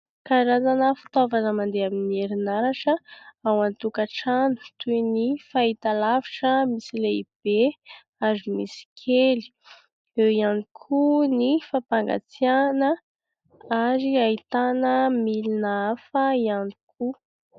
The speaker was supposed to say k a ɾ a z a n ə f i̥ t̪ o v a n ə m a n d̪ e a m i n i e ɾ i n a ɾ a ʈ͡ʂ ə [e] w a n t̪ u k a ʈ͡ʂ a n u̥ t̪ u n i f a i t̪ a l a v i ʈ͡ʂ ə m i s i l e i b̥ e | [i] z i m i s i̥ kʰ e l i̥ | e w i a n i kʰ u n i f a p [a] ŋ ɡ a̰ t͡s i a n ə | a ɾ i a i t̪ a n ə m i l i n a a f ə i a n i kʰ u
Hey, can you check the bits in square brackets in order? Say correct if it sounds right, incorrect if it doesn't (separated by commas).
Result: incorrect, incorrect, correct